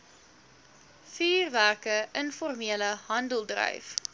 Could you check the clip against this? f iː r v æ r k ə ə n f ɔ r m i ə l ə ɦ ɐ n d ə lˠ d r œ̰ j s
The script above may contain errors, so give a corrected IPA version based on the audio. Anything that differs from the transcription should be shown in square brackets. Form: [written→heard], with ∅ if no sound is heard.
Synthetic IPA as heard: f iː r v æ r k ə ə n f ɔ r m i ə l ə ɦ ɐ n d ə lˠ d r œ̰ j [s→f]